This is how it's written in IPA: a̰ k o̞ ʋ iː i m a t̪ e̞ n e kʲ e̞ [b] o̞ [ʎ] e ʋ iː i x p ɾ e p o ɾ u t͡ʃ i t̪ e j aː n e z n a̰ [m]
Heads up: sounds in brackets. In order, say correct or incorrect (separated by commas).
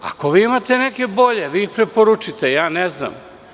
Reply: correct, correct, correct